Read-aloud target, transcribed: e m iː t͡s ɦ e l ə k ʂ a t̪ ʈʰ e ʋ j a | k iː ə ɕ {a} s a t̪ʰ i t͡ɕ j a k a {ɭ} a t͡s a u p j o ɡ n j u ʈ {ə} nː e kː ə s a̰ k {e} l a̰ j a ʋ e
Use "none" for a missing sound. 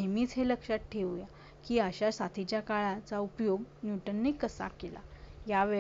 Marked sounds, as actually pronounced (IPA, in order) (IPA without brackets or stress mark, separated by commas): a, ɭ, ə, e